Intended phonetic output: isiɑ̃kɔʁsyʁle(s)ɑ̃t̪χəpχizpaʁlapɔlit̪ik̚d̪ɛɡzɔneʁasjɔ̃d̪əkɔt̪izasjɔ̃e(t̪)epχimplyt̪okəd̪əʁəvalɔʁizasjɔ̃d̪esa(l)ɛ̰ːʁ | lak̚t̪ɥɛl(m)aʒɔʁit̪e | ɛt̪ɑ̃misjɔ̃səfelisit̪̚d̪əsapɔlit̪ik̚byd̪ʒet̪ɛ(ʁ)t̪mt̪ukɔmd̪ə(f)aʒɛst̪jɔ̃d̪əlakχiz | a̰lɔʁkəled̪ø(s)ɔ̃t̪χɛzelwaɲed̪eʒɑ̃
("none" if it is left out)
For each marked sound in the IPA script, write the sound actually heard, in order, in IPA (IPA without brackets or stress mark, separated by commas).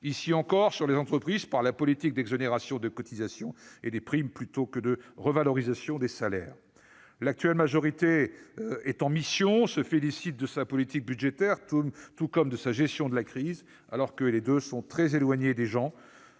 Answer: z, d̪, l, m, ʁ, s, s